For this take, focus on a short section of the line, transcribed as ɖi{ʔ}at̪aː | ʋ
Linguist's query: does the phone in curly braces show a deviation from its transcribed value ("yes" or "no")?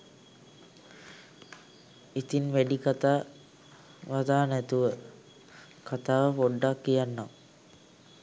yes